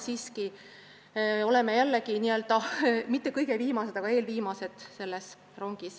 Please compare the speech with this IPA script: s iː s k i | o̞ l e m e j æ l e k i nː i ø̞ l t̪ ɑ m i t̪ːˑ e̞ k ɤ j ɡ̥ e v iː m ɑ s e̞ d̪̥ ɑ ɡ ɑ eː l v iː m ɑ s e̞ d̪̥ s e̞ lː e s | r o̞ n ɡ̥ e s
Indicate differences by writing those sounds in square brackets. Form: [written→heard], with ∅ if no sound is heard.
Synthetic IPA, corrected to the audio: s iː s k i | o̞ l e m e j æ [l→lː] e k i [nː→n] i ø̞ l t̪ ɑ m i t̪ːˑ e̞ k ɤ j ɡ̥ e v iː m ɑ s e̞ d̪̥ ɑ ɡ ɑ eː l v iː m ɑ s e̞ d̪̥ s e̞ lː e s | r o̞ [n→ŋ] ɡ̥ [e→i] s

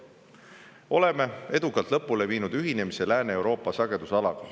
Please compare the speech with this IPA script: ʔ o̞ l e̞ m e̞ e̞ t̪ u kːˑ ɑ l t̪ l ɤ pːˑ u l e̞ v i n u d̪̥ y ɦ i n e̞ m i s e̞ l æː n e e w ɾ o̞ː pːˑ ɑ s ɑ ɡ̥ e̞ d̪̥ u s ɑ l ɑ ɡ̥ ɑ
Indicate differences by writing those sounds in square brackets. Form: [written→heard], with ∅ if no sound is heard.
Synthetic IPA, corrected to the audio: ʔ o̞ l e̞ m e̞ e̞ [t̪→d̪] u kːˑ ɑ l t̪ l ɤ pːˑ u l e̞ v [i→iː] n u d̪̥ y ɦ i n e̞ m i s e̞ l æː n e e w ɾ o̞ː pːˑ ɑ s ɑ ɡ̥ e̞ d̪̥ u s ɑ l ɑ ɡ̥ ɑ

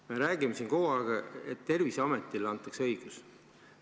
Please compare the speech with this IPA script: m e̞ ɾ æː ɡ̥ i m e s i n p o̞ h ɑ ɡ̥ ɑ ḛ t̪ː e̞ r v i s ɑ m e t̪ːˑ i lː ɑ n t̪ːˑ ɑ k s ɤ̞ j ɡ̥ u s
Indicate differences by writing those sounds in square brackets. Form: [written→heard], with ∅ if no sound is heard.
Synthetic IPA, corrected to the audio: m e̞ ɾ æː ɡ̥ i m e s i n [p→k] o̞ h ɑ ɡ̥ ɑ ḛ t̪ː e̞ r v i s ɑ m e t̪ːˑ i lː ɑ n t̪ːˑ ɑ k s ɤ̞ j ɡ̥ u s

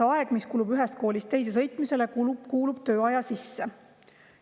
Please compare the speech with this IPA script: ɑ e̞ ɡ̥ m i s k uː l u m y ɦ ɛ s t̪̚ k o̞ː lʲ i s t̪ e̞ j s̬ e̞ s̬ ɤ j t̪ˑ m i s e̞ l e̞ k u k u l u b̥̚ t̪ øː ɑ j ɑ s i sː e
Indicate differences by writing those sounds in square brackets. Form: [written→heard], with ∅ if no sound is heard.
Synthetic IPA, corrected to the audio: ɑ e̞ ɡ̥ m i s k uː l u [m→b] y ɦ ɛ s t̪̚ k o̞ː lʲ i s t̪ e̞ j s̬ e̞ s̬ ɤ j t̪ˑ m i s e̞ l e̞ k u k [u→uː] l u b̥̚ t̪ øː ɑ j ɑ s i sː e

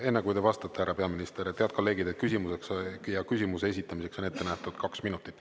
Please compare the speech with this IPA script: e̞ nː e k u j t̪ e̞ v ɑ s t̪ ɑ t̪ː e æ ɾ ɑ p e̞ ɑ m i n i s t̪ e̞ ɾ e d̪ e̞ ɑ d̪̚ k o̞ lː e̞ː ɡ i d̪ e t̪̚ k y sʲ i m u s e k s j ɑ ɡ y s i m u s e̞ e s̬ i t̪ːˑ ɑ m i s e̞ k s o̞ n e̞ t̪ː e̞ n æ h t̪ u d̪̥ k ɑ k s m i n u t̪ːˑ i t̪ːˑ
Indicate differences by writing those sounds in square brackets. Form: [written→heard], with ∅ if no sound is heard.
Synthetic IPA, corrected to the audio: e̞ nː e k u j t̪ e̞ v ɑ s t̪ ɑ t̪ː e æ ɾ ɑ p e̞ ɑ m i n i s t̪ e̞ ɾ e [d̪→t̪] e̞ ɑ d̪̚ k o̞ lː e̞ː ɡ i d̪ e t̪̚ k y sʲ i m u s e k s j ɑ [ɡ→k] y s i m u s e̞ e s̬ i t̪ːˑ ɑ m i s e̞ k s o̞ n e̞ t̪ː e̞ n æ h t̪ u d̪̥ k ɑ k s m i n u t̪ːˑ i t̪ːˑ

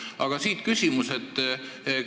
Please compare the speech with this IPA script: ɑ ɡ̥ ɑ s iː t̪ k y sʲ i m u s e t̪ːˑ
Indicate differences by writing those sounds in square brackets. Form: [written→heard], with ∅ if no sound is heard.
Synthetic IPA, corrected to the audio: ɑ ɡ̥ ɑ s iː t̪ k y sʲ i m u s e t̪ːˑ

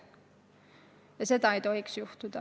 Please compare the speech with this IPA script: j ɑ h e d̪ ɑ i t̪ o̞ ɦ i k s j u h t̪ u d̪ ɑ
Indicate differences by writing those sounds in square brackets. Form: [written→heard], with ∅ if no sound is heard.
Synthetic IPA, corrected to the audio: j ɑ [h→s] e [d̪→t̪] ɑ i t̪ o̞ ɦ i k s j u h t̪ u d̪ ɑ

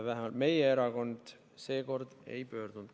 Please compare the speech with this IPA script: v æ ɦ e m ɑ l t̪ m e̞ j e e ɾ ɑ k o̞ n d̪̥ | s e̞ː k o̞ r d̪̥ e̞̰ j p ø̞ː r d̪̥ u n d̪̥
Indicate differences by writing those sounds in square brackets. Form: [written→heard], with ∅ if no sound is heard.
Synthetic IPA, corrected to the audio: v æ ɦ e m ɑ l t̪ m e̞ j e e ɾ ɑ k o̞ n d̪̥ | s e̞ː k o̞ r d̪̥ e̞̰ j p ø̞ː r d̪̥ u n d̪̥

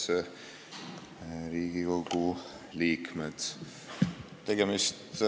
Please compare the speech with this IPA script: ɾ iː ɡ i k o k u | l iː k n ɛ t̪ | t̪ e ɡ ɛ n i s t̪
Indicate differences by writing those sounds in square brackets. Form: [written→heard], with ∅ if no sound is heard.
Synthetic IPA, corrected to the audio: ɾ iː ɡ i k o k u | l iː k [n→m] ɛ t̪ | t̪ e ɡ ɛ [n→m] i s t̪

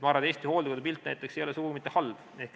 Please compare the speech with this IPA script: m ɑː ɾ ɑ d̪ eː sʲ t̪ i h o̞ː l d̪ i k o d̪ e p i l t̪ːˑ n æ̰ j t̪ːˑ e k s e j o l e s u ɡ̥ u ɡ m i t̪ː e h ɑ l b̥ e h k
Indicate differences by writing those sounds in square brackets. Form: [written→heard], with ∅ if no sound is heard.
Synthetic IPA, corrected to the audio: m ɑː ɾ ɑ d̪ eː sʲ t̪ i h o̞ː l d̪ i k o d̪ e p i l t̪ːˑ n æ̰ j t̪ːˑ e k s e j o l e s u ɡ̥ u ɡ m i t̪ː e h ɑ l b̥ e h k

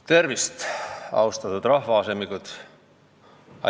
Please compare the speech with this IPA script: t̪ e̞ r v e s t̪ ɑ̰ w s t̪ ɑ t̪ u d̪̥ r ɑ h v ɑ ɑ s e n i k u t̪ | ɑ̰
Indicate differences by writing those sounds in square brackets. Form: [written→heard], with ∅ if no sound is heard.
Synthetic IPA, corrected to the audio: t̪ e̞ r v [e→i] s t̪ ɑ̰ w s t̪ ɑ t̪ u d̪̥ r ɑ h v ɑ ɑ s e [n→m] i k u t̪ | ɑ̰

